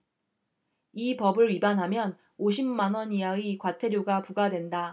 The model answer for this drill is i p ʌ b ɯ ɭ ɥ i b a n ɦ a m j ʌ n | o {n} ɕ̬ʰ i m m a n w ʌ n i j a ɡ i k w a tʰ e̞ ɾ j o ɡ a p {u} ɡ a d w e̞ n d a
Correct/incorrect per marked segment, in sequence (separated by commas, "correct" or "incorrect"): incorrect, correct